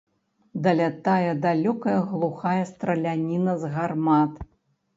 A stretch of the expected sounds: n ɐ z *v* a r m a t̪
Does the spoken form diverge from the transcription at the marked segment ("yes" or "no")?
yes